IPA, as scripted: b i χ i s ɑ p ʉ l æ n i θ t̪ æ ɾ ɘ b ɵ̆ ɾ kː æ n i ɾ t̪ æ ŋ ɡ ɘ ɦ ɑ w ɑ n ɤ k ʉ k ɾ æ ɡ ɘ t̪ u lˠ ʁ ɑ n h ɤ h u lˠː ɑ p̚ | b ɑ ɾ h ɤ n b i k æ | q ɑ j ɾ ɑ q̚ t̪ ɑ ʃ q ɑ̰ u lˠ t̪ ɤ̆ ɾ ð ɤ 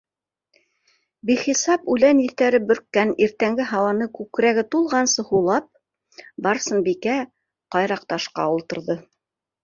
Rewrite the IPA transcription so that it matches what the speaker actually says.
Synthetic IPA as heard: b i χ i s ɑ p ʉ l æ n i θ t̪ æ ɾ ɘ b ɵ̆ ɾ kː æ n i ɾ t̪ æ ŋ ɡ ɘ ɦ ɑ w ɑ n ɤ k ʉ k ɾ æ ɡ ɘ t̪ u lˠ ʁ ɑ n s ɤ h u lˠ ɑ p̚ | b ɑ ɾ s ɤ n b i k æ | q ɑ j ɾ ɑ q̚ t̪ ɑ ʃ q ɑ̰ u lˠ t̪ ɤ̆ ɾ ð ɤ